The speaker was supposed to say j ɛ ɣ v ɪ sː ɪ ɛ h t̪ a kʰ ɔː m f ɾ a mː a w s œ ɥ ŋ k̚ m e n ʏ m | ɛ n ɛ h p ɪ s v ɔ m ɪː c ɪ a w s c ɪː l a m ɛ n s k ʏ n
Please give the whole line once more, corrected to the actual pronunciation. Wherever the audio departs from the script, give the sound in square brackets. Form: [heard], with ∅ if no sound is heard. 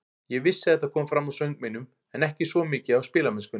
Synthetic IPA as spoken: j ɛ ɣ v ɪ sː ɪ ɛ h t̪ a kʰ ɔː m f ɾ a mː a w s œ ɥ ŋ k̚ m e n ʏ m | ɛ n ɛ h [c] ɪ s v ɔ m ɪː c ɪ a w s [p] ɪː l a m ɛ n s k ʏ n